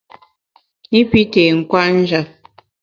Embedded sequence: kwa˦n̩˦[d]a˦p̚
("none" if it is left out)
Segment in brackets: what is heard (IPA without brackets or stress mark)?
d͡ʒ